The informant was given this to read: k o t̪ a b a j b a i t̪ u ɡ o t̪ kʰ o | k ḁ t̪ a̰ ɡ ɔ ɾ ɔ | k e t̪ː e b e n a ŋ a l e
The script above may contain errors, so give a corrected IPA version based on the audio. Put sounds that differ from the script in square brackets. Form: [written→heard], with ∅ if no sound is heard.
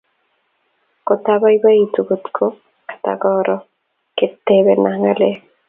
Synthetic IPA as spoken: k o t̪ a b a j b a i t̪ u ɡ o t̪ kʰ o | k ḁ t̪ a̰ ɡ ɔ ɾ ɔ | k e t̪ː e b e n a ŋ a l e